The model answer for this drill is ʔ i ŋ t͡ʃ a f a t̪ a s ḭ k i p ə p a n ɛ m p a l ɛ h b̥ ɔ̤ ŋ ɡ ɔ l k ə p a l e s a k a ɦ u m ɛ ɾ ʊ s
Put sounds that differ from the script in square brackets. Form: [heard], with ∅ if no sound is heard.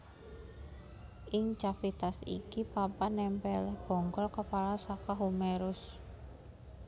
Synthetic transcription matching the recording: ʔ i ŋ t͡ʃ a f [i] t̪ a s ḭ k i p [a] p a n ɛ m p [ɛ] l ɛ h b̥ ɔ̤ ŋ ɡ ɔ l k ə p a l [a] s a k a ɦ u m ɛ ɾ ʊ s